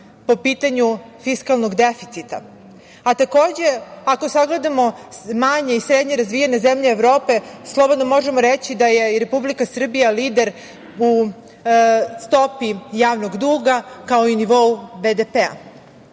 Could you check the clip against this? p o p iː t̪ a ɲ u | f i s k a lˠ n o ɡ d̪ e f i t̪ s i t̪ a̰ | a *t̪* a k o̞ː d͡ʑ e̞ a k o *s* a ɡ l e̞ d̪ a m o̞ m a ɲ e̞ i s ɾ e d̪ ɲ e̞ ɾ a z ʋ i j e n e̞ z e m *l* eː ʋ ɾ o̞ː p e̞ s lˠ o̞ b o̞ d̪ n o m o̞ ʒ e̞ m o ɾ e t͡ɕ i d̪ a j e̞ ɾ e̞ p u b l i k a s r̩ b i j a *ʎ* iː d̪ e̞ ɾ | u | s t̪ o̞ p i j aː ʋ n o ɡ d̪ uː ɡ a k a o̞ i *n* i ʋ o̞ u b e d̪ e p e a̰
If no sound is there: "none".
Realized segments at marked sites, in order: t̪, s, ʎ, l, n

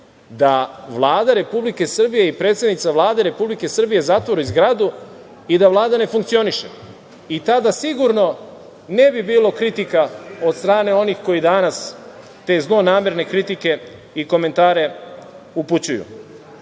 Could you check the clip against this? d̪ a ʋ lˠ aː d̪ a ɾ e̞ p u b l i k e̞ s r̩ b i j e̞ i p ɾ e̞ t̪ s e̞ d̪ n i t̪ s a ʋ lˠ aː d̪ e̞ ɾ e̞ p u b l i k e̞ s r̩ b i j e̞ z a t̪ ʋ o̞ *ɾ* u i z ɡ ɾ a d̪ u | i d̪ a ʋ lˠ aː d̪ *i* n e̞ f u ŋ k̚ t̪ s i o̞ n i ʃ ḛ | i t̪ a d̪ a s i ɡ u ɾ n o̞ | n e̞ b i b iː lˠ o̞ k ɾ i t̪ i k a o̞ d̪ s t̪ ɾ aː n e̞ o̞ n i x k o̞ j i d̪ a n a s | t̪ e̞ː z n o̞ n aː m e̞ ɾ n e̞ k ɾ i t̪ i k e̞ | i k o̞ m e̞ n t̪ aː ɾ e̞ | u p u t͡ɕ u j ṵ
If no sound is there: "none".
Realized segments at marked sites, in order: ɾ, a

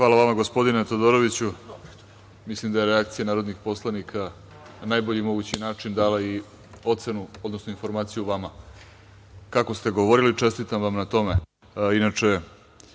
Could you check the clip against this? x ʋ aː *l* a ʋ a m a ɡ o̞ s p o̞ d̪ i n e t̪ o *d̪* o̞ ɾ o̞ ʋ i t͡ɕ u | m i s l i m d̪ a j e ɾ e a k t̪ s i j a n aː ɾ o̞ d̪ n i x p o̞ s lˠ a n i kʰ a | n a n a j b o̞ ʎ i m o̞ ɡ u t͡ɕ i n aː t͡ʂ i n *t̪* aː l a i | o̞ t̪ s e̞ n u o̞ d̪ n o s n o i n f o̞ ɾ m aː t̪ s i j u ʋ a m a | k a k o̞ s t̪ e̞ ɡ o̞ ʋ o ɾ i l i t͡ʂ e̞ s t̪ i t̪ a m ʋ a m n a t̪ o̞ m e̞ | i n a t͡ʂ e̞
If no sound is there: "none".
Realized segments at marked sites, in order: l, d̪, d̪

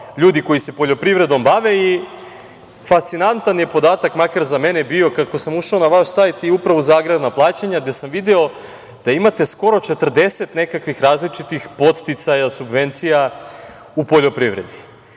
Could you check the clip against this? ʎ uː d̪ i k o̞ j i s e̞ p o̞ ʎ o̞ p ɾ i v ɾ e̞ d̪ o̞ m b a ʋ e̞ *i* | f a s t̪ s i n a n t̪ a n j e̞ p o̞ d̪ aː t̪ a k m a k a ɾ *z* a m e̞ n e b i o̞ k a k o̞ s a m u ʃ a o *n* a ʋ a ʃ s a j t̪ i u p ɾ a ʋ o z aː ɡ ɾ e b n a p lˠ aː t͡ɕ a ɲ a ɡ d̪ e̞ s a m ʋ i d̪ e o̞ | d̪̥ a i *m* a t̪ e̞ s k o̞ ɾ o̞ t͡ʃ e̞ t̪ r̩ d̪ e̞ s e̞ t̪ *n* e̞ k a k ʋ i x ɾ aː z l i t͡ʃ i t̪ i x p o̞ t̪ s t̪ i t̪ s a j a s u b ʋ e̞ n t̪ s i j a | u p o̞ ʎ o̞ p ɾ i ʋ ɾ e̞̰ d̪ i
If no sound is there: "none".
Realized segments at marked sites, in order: i, z, n, m, n

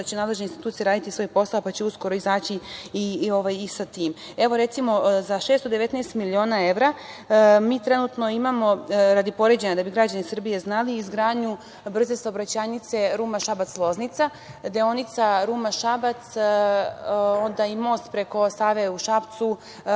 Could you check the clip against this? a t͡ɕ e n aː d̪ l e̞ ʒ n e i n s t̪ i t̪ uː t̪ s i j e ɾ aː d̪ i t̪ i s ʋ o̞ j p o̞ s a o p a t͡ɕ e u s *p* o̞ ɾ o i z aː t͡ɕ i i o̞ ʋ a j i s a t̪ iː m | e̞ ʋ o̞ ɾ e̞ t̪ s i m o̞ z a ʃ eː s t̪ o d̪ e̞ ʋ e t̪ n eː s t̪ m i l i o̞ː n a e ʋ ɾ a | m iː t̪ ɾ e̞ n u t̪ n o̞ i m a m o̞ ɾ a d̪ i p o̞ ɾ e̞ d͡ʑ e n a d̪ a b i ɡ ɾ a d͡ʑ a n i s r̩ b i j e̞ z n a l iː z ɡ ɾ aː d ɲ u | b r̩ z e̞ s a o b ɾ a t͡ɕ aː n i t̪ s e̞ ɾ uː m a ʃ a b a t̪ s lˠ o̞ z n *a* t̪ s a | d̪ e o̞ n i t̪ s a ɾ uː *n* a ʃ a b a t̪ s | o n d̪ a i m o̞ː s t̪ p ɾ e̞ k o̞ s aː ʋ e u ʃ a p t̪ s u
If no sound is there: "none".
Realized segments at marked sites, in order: k, i, m

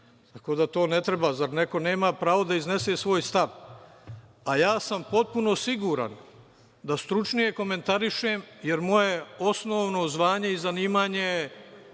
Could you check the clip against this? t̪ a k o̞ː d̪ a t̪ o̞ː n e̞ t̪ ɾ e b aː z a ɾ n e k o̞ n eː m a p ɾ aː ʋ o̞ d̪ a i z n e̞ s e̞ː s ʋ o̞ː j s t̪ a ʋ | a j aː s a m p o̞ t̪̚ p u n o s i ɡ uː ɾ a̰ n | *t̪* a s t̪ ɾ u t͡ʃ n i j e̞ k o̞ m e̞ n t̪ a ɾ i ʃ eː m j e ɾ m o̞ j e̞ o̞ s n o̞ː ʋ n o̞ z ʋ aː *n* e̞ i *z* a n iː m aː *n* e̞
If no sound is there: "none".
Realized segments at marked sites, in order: d̪, ɲ, z, ɲ

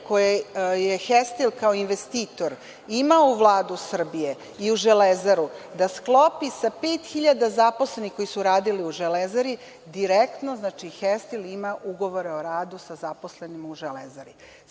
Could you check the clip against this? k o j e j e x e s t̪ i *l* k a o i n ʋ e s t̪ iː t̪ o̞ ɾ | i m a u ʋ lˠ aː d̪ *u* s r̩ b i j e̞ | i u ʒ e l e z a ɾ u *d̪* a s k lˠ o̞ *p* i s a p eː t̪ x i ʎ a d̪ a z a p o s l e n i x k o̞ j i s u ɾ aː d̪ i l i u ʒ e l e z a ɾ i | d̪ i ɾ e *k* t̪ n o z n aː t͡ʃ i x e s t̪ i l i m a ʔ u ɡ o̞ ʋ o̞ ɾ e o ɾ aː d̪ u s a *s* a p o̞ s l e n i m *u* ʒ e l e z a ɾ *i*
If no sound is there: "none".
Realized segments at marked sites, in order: l, u, d̪, p, k, z, u, i

